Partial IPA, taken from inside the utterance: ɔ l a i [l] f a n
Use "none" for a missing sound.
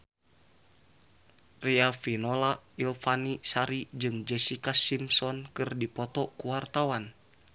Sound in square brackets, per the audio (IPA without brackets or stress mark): l